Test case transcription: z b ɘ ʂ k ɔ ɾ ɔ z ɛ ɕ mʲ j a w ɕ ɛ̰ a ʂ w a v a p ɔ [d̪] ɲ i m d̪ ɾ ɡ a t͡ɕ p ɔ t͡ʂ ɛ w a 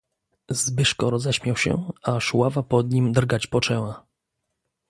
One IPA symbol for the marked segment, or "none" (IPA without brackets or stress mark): d̪